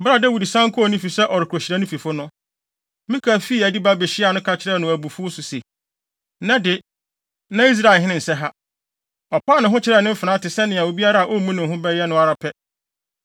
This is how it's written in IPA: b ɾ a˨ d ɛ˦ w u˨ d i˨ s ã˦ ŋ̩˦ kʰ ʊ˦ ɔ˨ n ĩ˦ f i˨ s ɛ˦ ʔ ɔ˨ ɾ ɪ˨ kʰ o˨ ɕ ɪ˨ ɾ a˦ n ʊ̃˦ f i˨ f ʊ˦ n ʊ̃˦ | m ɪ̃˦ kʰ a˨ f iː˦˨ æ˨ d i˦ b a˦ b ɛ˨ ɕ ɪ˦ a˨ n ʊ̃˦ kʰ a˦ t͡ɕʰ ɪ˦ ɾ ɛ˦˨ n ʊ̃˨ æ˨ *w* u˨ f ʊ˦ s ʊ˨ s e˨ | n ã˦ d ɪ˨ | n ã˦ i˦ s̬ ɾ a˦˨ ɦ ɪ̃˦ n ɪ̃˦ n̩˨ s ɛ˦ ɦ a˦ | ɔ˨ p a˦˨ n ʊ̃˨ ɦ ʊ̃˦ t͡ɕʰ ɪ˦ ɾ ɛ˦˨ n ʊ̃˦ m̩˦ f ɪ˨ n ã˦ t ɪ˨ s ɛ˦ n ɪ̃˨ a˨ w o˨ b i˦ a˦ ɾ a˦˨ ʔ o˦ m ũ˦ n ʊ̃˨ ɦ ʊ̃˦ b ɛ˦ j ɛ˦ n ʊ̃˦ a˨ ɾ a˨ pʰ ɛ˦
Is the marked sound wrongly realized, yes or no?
yes